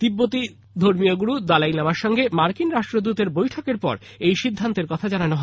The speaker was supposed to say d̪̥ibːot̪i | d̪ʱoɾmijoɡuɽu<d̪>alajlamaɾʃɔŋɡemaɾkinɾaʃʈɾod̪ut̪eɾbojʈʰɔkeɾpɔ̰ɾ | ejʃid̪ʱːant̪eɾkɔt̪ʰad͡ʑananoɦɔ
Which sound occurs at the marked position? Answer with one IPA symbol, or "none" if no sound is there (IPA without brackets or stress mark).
d̪